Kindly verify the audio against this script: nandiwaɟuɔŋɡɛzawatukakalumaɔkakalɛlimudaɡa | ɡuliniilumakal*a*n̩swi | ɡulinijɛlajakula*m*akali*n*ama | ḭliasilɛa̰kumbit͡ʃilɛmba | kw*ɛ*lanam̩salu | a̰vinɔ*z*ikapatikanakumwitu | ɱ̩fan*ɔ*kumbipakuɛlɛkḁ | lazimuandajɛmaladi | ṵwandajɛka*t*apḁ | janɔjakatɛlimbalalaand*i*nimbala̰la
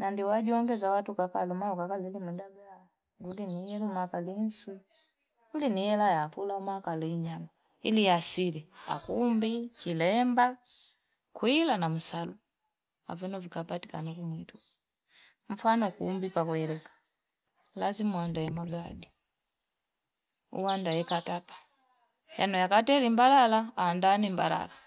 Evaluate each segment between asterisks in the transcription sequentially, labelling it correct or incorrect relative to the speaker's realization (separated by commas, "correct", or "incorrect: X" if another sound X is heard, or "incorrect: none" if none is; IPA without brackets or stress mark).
incorrect: i, correct, incorrect: ɲ, incorrect: i, incorrect: v, correct, correct, incorrect: a